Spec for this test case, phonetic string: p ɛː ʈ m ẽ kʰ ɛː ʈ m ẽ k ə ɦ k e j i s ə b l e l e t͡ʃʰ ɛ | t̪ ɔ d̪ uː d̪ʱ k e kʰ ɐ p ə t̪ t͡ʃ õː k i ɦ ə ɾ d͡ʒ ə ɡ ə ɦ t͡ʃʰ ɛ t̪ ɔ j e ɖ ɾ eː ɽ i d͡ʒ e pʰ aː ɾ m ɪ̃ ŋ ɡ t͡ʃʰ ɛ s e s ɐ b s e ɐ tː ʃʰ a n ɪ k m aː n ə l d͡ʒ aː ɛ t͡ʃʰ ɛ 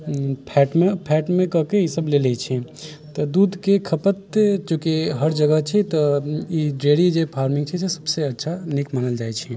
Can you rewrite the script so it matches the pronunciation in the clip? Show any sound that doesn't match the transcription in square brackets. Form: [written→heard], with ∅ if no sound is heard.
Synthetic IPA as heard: [p→pʰ] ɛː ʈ m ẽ [kʰ→pʰ] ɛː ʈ m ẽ k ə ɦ k e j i s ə b l e l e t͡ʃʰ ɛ | t̪ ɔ d̪ uː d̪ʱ k e kʰ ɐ p ə t̪ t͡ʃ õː k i ɦ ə ɾ d͡ʒ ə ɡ ə ɦ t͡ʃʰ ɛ t̪ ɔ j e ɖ ɾ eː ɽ i d͡ʒ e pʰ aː ɾ m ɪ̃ ŋ ɡ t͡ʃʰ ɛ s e s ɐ b s e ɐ tː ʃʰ a n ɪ k m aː n ə l d͡ʒ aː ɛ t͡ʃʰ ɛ